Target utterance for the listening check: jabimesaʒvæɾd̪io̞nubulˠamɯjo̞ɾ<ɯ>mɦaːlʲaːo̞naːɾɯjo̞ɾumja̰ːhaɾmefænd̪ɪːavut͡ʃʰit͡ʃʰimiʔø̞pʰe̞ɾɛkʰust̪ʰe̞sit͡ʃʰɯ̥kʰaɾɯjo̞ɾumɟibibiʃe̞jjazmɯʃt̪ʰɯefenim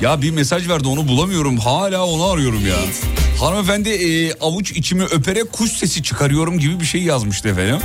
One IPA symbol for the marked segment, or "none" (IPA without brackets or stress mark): u